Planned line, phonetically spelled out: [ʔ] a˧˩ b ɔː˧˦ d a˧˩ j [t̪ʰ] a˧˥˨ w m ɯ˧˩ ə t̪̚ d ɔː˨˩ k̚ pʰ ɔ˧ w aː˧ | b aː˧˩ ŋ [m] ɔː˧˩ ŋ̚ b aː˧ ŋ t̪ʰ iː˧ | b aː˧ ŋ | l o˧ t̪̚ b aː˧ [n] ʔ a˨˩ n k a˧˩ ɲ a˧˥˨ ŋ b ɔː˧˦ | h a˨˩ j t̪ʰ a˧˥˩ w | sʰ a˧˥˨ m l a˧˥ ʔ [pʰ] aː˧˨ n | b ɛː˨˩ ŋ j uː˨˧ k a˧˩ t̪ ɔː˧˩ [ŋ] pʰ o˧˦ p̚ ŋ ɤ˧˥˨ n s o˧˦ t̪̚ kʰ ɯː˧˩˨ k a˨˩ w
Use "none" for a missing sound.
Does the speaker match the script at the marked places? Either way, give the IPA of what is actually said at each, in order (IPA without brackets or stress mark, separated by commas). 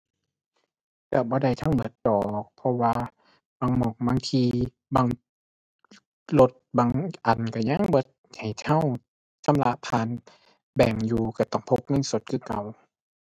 k, t̪ʰ, m, ŋ, pʰ, ŋ